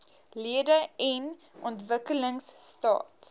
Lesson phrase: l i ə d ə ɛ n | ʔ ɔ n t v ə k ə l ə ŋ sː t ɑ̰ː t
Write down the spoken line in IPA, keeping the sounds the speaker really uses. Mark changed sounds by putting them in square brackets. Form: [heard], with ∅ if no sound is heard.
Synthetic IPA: l i ə d ə ɛ n | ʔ ɔ n t v ə k ə l ə ŋ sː t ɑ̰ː t